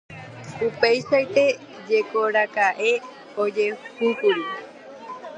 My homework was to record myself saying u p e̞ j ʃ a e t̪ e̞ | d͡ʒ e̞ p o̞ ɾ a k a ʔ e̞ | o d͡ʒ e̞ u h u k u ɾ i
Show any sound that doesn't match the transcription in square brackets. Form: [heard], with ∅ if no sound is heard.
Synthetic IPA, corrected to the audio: u p e̞ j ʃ a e t̪ e̞ | d͡ʒ e̞ [k] o̞ ɾ a k a ʔ e̞ | o d͡ʒ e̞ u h u k u ɾ i